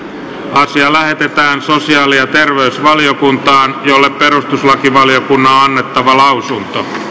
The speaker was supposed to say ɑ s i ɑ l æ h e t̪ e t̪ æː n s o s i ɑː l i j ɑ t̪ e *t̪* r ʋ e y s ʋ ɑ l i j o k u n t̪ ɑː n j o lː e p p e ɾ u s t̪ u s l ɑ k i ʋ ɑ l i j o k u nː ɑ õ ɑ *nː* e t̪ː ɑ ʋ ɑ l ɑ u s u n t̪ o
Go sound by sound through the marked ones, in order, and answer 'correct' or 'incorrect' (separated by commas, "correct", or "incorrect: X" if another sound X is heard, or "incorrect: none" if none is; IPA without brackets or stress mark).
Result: incorrect: none, correct